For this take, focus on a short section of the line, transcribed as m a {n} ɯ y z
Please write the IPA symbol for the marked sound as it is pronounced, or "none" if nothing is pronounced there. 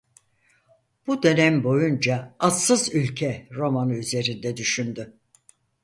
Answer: n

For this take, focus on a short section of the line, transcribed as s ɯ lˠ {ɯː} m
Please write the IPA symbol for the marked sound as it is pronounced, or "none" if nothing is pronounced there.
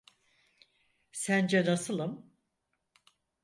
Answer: ɯ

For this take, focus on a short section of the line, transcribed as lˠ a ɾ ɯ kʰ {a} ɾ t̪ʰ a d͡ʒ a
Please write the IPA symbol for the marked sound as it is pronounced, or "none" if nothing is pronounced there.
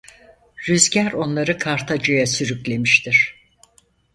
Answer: a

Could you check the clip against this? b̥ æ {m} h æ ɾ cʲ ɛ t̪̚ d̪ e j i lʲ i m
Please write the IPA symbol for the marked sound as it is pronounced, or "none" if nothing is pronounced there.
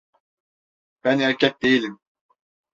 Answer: n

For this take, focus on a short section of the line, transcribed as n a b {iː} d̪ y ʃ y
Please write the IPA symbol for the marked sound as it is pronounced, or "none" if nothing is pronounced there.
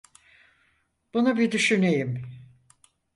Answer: i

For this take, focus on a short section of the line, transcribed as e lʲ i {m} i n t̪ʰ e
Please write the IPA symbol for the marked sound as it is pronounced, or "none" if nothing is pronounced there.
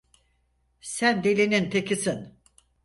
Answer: n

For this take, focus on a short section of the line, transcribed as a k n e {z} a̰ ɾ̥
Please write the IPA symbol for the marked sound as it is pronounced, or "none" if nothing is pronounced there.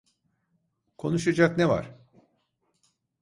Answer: v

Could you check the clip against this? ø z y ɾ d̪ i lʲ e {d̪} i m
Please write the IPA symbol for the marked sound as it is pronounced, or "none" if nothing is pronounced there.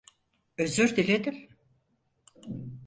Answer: d̪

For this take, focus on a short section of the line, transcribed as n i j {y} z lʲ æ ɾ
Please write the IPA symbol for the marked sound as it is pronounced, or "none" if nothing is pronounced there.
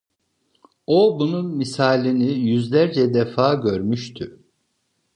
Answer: y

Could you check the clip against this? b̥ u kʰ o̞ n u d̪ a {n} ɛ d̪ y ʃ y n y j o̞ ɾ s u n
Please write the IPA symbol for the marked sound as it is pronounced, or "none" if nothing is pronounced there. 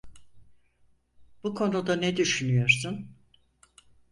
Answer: n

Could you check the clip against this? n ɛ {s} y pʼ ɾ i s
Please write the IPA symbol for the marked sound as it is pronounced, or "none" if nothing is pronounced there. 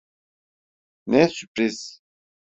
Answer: s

